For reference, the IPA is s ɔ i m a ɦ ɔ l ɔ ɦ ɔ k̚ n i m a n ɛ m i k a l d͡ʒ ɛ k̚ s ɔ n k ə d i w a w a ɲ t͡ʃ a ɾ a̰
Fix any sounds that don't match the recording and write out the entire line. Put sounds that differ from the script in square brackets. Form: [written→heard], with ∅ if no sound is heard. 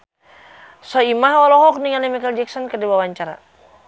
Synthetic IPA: s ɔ i m a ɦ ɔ l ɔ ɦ ɔ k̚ n i [m→ŋ] a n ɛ m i k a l d͡ʒ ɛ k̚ s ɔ n k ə d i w a w a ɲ t͡ʃ a ɾ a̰